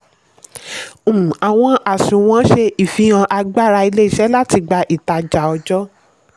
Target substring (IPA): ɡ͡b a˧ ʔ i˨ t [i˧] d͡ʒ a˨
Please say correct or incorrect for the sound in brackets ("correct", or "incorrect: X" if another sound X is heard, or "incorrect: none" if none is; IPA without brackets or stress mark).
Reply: incorrect: a˧